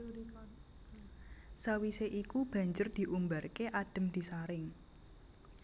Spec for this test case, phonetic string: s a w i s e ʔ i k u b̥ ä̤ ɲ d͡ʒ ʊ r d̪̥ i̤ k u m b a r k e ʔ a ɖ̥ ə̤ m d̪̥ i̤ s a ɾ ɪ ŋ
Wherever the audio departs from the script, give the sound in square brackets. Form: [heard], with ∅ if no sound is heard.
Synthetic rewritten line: s a w i s e ʔ i k u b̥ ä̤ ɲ d͡ʒ ʊ r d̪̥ i̤ [ʔ] u m b a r k e ʔ a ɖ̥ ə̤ m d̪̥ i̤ s a ɾ ɪ ŋ